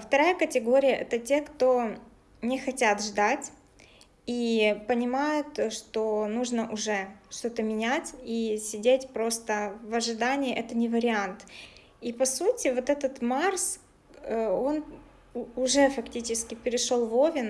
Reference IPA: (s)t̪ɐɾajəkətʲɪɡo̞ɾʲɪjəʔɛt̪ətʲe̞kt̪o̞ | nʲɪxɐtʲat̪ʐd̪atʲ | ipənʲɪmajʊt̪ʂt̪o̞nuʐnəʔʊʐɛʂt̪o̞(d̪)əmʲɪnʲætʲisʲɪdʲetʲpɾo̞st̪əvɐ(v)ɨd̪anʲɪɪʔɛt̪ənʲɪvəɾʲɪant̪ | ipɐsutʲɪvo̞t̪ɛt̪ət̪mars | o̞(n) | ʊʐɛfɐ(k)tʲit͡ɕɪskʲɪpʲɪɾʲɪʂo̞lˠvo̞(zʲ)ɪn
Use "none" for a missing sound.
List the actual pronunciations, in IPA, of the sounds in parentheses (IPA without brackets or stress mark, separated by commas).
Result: f, t̪, ʐ, n, k, vʲ